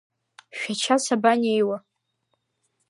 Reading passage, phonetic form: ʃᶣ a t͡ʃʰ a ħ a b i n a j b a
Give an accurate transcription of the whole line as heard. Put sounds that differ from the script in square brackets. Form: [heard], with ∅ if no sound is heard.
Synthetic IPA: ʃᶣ a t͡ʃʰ a [s] a b [a] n [e] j [w] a